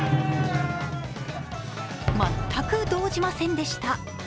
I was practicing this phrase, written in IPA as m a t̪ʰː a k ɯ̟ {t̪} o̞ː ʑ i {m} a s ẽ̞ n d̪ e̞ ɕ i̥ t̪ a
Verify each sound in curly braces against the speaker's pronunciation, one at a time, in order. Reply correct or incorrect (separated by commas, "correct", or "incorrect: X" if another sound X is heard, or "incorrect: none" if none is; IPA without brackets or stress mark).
incorrect: d̪, correct